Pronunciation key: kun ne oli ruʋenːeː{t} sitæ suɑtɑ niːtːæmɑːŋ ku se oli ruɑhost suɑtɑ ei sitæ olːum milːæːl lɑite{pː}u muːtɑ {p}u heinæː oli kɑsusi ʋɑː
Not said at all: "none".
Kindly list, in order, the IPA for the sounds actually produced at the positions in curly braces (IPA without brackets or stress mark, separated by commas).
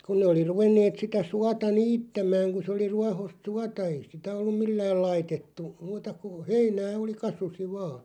t, tː, k